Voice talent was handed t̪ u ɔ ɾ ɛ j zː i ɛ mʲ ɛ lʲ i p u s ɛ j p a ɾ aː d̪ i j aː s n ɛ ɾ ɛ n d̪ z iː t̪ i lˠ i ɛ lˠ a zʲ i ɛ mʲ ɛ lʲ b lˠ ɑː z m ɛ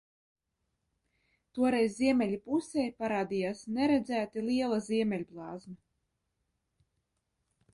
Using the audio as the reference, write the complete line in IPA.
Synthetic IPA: t̪ u ɔ ɾ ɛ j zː i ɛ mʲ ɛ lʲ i p u s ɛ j p a ɾ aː d̪ i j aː s n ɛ ɾ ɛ d̪ z æː t̪ i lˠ i ɛ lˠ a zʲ i ɛ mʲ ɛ lʲ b lˠ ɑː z m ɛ